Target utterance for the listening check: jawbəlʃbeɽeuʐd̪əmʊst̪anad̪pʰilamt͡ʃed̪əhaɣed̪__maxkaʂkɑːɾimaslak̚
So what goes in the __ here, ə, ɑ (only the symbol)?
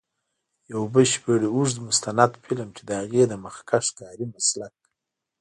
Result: ə